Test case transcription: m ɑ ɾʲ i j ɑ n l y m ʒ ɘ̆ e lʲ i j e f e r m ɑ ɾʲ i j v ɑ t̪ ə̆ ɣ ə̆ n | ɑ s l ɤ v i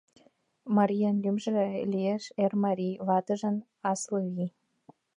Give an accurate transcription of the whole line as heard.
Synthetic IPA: m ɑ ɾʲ i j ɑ n l y m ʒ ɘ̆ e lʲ i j e ʃ e r m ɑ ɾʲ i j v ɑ t̪ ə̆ ʒ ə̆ n | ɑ s l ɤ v i